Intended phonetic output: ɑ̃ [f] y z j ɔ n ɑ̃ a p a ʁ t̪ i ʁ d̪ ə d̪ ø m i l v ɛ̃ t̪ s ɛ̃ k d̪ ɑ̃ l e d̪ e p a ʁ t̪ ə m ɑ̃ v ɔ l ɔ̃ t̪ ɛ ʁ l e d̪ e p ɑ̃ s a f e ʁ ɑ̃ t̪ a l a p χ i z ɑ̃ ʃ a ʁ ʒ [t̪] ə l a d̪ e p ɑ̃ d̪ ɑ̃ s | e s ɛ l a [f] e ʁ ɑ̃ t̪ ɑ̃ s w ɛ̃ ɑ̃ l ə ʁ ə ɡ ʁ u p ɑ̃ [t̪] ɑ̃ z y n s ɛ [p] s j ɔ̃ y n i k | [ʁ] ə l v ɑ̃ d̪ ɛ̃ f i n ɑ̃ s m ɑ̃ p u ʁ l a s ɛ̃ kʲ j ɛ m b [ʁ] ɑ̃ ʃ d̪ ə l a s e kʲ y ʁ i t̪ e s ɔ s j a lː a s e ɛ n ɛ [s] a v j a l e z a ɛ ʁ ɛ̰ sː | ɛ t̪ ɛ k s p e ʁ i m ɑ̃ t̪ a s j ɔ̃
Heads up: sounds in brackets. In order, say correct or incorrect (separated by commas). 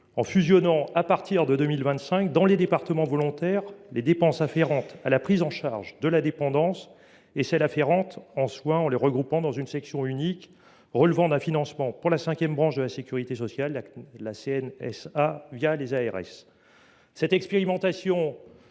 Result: correct, incorrect, correct, incorrect, incorrect, correct, correct, correct